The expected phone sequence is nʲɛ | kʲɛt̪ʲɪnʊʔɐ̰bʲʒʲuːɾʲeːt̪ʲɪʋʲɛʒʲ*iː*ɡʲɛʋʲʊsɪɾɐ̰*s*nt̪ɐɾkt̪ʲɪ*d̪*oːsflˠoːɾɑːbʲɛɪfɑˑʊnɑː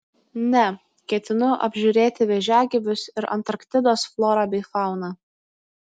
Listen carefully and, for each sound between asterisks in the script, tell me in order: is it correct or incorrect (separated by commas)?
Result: incorrect, incorrect, correct